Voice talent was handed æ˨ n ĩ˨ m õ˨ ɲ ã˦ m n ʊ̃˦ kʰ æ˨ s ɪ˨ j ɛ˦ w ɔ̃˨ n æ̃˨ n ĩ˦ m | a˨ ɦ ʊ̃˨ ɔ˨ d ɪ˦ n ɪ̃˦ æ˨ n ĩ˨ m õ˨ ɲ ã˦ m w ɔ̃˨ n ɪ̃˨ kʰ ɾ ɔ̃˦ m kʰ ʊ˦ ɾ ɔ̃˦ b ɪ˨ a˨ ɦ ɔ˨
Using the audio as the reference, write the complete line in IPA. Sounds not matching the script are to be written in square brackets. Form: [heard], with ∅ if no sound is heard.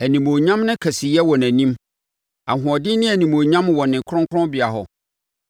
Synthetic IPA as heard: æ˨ n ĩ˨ m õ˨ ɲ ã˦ m n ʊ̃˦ kʰ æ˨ s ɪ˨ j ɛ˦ w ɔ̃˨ n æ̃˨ n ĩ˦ m | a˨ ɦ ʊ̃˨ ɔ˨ d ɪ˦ n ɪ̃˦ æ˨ n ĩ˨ m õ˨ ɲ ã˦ m w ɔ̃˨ n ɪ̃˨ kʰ ɾ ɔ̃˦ [ŋ] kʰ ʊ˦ ɾ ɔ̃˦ b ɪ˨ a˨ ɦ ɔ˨

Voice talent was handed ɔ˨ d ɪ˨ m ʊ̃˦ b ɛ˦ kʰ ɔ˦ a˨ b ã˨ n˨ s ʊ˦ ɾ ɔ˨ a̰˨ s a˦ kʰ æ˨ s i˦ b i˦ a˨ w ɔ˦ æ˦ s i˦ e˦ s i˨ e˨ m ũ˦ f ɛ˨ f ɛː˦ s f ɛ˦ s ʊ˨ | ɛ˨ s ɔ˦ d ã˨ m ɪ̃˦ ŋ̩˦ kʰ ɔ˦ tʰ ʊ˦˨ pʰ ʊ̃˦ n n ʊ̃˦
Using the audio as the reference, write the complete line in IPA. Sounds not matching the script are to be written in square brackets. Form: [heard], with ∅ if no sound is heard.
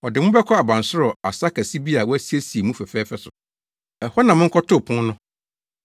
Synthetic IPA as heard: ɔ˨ d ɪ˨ m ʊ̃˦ b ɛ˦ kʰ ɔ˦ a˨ b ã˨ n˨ s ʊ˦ ɾ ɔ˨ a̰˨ s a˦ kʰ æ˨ s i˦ b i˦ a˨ w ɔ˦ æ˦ s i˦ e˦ s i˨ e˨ m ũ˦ f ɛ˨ f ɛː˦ [∅] f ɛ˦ s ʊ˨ | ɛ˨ [h] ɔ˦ [n] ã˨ m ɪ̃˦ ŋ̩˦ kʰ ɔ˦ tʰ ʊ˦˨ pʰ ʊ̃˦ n n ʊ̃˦

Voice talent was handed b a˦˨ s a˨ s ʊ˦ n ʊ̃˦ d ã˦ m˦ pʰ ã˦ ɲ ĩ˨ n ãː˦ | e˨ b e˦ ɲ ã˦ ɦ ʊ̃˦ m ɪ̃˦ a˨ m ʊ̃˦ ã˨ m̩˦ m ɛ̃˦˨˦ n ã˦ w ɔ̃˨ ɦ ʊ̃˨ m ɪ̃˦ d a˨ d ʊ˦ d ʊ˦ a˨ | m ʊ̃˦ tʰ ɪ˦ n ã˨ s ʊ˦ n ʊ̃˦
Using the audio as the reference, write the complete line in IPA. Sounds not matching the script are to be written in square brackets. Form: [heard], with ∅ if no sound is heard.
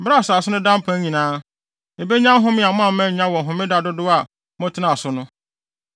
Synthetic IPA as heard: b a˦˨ s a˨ s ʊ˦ n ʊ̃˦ d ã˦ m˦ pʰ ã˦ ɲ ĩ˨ n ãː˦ | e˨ b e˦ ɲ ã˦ ɦ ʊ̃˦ m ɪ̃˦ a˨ m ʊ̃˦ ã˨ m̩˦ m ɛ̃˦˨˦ [ɲ] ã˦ w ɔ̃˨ ɦ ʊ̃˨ m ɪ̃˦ d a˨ d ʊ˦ d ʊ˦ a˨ | m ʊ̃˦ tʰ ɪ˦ n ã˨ s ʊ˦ n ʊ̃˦

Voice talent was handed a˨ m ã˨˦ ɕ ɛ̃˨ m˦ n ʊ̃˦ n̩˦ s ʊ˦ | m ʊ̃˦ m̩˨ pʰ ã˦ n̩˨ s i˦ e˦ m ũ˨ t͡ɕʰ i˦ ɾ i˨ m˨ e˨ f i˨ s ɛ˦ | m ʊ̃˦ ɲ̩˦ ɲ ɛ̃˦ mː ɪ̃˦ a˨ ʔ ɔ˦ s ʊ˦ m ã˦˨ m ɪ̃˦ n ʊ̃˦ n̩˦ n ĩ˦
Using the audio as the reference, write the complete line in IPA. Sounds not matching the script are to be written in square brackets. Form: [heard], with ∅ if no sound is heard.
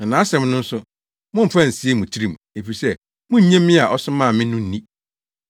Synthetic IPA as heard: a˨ [n] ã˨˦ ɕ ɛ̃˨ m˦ n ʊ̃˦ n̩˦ s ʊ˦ | m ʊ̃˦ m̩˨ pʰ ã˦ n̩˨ s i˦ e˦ m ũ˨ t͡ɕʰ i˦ ɾ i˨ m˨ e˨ f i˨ s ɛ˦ | m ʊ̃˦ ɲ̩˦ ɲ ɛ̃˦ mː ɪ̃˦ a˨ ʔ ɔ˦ s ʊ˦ m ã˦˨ m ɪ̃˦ n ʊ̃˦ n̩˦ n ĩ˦

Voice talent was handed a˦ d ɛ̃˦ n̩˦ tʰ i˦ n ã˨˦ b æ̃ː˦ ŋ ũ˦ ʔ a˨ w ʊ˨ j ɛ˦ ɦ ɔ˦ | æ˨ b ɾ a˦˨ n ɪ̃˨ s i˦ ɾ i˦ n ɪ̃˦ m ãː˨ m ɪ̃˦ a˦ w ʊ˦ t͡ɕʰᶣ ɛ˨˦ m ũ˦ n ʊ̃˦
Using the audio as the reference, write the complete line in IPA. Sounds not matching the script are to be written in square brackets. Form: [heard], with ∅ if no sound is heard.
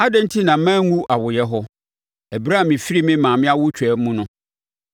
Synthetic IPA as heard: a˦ d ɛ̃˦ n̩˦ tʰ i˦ n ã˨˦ [m] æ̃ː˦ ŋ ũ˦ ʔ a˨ w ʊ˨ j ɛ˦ ɦ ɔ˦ | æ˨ b ɾ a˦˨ [m] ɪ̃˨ [f] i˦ ɾ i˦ [m] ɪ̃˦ m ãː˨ m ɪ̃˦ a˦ w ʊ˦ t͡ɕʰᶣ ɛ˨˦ m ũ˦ n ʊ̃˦

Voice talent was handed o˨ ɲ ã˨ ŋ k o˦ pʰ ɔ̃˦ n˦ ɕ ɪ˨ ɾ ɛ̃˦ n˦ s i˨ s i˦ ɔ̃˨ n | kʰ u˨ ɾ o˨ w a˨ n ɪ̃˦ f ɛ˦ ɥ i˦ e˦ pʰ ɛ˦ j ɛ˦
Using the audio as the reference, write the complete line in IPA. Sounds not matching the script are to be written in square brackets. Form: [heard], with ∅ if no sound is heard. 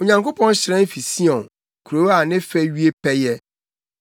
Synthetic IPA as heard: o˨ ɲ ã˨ ŋ k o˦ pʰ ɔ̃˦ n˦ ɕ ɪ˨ ɾ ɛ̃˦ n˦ [f] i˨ s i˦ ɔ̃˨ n | kʰ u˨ ɾ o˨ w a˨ n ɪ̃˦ f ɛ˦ ɥ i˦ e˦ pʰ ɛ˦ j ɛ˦

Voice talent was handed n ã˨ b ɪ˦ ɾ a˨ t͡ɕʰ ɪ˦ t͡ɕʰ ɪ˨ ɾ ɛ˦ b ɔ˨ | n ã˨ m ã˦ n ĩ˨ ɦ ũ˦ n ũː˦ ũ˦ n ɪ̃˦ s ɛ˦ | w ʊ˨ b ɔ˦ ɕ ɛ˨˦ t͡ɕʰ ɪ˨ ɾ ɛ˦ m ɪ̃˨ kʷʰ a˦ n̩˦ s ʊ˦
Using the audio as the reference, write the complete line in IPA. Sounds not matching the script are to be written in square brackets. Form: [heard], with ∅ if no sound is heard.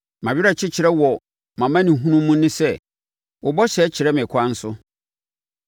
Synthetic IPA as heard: [m] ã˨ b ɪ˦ ɾ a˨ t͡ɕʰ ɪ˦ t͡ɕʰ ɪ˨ ɾ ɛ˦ [w] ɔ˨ | [m] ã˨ m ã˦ n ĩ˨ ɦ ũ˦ n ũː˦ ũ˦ n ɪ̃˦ s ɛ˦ | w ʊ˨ b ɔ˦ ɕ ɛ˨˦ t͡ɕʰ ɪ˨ ɾ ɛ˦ m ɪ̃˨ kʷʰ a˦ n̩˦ s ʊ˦

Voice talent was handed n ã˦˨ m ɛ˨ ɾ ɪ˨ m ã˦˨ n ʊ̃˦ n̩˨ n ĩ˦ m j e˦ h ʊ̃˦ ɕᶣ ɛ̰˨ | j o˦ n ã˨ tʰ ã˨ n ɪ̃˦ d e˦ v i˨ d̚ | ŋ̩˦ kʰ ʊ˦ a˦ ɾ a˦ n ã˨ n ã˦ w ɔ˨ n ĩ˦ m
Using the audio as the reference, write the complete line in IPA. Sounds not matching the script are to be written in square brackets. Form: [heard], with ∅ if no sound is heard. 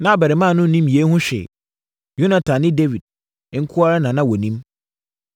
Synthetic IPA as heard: n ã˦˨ [b] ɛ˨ ɾ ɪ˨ m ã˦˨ n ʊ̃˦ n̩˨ n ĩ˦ m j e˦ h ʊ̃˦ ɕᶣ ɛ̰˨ | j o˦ n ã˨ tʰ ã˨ n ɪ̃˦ d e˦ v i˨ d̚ | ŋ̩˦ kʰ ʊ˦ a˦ ɾ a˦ n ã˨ n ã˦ w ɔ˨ n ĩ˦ m

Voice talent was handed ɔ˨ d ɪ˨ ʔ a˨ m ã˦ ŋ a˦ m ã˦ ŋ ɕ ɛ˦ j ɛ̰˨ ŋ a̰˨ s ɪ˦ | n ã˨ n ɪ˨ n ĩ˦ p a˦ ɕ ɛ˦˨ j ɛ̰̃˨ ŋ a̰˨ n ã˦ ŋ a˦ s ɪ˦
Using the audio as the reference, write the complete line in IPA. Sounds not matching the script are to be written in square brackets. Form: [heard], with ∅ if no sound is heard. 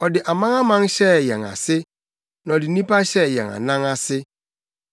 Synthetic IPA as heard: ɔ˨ d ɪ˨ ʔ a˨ m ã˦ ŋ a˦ m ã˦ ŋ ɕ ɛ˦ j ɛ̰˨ ŋ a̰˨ s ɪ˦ | n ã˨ [d] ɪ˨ n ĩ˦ p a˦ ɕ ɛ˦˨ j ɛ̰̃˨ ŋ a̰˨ n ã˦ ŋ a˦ s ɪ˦

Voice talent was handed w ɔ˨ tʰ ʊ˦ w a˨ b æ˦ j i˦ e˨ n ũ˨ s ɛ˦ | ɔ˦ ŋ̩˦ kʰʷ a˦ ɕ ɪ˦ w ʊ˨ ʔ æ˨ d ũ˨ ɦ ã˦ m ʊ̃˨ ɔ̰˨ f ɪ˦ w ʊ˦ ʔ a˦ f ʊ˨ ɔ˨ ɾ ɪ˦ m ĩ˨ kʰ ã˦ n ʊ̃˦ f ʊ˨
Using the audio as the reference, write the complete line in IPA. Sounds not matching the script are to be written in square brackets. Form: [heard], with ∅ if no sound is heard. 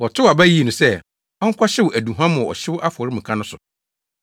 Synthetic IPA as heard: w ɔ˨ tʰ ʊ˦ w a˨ b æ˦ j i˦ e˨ n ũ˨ s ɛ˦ | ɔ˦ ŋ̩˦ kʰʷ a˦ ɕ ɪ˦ w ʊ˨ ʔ æ˨ d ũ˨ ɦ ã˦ m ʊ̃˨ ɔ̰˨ [ɕ] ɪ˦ w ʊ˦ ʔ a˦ f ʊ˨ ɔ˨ ɾ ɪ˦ m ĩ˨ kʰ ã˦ n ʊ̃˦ [s] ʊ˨

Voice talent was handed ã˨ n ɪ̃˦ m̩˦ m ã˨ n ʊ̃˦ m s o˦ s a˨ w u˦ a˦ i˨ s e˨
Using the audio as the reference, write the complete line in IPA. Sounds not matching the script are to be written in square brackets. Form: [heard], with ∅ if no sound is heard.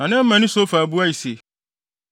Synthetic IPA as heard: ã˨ n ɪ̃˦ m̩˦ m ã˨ n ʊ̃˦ [∅] s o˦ [f] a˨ [b] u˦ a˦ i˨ s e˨

